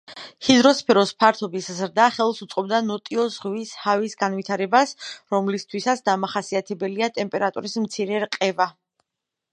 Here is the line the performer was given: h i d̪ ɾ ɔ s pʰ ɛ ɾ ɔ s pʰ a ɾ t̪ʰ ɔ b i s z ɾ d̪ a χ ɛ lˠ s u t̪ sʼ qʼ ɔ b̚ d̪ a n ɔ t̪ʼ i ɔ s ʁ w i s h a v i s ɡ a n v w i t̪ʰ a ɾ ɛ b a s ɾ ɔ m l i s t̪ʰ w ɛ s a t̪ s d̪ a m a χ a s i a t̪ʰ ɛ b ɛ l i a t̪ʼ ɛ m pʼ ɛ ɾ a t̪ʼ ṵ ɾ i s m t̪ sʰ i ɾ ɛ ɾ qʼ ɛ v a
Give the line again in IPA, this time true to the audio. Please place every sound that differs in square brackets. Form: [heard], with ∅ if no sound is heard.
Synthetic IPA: h i d̪ ɾ ɔ s pʰ ɛ ɾ ɔ s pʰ a ɾ t̪ʰ ɔ b i s z ɾ d̪ a χ ɛ lˠ s u t̪ sʼ qʼ ɔ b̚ d̪ a n ɔ t̪ʼ i ɔ [z] ʁ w i s h a v i s ɡ a n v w i t̪ʰ a ɾ ɛ b a s ɾ ɔ m l i s t̪ʰ w [i] s a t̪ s d̪ a m a χ a s i a t̪ʰ ɛ b ɛ l i a t̪ʼ ɛ m pʼ ɛ ɾ a t̪ʼ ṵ ɾ i s m t̪ sʰ i ɾ ɛ ɾ qʼ ɛ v a

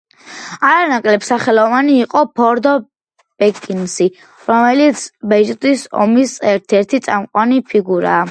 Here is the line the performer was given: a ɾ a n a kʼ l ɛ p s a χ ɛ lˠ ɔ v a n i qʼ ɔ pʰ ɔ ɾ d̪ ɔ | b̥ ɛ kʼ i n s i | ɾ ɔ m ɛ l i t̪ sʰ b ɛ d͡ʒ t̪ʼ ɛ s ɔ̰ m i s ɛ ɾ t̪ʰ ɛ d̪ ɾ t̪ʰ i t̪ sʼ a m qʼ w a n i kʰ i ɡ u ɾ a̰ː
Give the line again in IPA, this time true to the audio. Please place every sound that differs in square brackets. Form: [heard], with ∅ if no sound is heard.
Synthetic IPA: a ɾ a n a kʼ l ɛ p s a χ ɛ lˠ ɔ v a n [iː] qʼ ɔ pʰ ɔ ɾ d̪ ɔ | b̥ ɛ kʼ i n s i | ɾ ɔ m ɛ l i t̪ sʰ b ɛ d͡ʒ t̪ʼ [i] s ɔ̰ m i s ɛ ɾ t̪ʰ ɛ [∅] ɾ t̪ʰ i t̪ sʼ a m qʼ w a n i [pʰ] i ɡ u ɾ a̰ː

